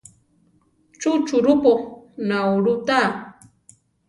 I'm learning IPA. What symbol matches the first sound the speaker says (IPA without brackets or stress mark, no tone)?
t͡ʃ